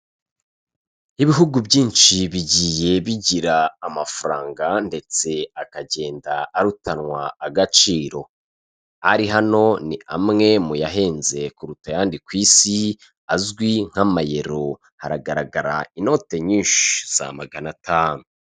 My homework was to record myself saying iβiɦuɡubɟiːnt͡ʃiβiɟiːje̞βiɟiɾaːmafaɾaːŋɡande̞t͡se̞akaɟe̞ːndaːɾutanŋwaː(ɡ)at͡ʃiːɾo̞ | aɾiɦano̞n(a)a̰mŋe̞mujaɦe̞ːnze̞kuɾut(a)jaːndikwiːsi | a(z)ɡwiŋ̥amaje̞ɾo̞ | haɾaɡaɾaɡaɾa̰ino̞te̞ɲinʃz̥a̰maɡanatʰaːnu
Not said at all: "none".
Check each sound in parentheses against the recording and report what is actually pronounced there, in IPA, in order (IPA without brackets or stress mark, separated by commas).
ɡ, i, a, z